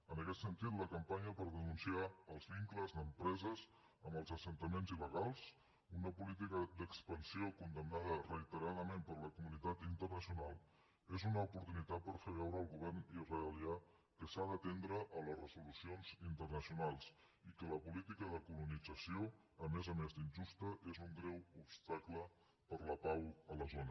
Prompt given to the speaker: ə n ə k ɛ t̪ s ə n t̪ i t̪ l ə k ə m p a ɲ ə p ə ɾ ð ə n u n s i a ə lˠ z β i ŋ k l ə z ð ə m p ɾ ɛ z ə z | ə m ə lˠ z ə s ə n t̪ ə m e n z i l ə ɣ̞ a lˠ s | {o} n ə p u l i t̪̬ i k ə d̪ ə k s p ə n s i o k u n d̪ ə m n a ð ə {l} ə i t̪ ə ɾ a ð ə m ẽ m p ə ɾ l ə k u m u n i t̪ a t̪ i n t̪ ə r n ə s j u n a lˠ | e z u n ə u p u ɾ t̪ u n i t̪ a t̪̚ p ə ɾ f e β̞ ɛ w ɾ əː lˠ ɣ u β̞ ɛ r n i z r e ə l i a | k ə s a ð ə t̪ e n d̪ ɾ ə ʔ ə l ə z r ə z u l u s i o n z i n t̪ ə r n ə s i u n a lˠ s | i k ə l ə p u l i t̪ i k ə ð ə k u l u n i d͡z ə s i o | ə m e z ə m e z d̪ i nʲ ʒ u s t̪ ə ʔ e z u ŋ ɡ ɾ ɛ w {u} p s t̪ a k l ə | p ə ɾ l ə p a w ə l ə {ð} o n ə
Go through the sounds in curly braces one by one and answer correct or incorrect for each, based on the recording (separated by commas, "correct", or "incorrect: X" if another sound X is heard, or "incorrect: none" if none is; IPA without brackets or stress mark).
incorrect: u, incorrect: r, correct, incorrect: z